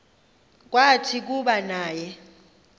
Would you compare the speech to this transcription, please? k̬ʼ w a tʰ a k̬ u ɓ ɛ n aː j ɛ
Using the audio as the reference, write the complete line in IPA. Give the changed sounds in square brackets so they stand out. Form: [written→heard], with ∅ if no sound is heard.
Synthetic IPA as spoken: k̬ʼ w a tʰ [a→i] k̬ u ɓ [ɛ→a] n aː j ɛ

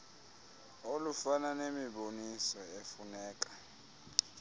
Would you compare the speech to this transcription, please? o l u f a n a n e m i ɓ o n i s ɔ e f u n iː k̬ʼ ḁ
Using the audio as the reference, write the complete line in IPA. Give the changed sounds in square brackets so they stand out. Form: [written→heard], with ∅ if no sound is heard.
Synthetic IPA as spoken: o l u f a n a n e m i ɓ o n i s ɔ e f u n [iː→ɛː] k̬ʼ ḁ

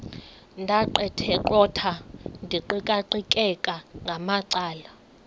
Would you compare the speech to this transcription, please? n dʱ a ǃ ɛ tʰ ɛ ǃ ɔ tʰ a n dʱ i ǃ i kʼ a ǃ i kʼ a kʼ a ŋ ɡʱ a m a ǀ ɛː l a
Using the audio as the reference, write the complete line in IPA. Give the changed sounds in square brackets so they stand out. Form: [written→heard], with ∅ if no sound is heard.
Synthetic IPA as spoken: n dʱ a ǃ ɛ tʰ ɛ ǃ ɔ tʰ a n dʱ i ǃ i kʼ a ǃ i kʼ [a→ɛ] kʼ a ŋ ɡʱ a m a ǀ [ɛː→aː] l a

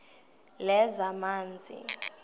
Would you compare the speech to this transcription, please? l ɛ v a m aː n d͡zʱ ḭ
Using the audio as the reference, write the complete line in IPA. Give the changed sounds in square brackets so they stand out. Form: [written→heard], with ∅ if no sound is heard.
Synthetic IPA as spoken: l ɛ [v→z] a m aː n d͡zʱ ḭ

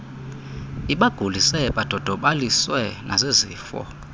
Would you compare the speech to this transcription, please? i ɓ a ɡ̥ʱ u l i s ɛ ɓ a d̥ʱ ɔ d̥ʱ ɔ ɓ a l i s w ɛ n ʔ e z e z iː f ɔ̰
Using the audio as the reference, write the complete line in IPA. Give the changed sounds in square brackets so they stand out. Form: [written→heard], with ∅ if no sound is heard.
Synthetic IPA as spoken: i ɓ a ɡ̥ʱ u l i s ɛ ɓ a d̥ʱ ɔ d̥ʱ ɔ ɓ a l i s w ɛ n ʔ [e→a] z e z iː f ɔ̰

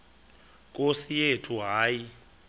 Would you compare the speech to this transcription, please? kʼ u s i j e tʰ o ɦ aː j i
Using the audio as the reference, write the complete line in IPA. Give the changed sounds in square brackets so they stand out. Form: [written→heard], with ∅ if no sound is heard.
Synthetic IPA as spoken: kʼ [u→o] s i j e tʰ [o→u] ɦ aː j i

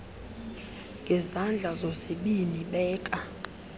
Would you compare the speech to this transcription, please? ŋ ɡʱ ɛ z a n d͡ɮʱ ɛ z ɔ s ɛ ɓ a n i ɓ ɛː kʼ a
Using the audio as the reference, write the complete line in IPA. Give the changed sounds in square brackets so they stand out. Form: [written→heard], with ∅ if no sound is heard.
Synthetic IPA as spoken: ŋ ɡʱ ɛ z a n d͡ɮʱ [ɛ→a] z ɔ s [ɛ→e] ɓ [a→i] n i ɓ ɛː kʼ a

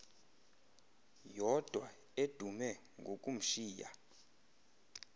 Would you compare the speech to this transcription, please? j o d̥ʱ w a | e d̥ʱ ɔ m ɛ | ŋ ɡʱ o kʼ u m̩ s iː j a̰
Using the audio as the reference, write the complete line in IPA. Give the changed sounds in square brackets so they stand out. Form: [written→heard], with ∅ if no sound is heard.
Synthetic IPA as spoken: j [o→ɔ] d̥ʱ w a | e d̥ʱ [ɔ→u] m ɛ | ŋ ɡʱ o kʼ u m̩ [s→ʃ] iː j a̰

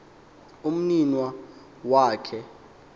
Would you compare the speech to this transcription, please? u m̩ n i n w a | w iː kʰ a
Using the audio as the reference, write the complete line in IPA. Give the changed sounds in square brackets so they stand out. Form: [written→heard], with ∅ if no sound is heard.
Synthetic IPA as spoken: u m̩ n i n w a | w [iː→aː] kʰ [a→ɛ]

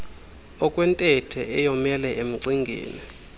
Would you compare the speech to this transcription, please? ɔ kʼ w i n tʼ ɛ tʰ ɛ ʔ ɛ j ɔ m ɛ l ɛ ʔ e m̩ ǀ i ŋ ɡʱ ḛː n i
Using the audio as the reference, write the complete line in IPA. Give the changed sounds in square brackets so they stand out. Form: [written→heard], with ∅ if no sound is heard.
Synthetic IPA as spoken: ɔ kʼ w [i→ɛ] n tʼ ɛ tʰ ɛ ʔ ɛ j ɔ m ɛ l ɛ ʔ e m̩ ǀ i ŋ ɡʱ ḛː n i

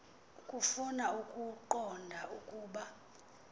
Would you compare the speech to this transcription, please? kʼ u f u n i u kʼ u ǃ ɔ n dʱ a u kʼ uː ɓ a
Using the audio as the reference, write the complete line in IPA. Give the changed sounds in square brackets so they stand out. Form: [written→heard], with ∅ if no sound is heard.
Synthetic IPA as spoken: kʼ u f u n [i→a] u kʼ u ǃ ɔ n dʱ a u kʼ uː ɓ a

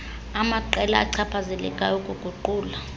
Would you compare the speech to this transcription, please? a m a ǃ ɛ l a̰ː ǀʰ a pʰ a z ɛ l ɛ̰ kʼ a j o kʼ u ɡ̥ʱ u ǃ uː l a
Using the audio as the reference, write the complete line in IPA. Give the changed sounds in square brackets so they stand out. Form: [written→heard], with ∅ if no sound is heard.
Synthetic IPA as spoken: a m a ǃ ɛ l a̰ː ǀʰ a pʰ a z ɛ l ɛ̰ kʼ a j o kʼ u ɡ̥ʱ u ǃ uː l a

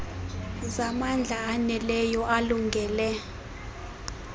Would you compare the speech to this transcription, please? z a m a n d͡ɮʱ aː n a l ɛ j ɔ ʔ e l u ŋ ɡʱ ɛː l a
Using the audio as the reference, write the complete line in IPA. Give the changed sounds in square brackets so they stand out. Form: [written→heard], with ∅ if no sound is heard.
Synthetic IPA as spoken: z a m a n d͡ɮʱ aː n [a→ɛ] l ɛ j ɔ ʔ [e→a] l u ŋ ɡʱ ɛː l [a→ɛ]

